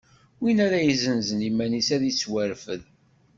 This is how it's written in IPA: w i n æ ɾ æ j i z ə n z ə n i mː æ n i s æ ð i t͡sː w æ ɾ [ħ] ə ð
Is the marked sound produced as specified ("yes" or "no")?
no